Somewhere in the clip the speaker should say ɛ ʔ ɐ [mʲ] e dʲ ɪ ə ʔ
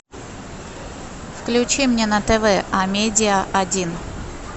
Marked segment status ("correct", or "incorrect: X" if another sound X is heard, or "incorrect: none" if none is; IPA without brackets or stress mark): correct